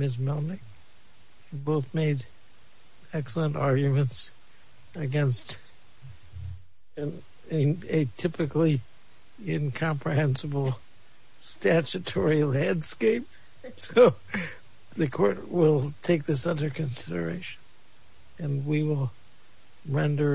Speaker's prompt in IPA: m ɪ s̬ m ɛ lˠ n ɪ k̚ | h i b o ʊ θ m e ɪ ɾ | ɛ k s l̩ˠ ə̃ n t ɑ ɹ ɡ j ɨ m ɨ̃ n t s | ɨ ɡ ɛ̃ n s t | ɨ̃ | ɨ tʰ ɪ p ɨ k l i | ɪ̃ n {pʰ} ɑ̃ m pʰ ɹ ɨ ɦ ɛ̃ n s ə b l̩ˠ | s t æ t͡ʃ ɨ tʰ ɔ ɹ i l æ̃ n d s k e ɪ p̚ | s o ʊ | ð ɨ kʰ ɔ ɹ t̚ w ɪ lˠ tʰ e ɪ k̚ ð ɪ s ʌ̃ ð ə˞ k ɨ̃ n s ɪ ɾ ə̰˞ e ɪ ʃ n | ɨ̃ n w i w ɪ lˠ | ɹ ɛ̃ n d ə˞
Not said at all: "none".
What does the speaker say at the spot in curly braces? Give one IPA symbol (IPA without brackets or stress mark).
kʰ